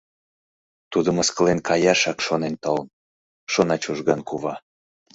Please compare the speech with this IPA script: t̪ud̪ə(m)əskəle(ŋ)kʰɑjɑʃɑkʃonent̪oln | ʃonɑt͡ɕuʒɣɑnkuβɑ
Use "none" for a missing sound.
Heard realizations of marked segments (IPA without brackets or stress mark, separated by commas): m, n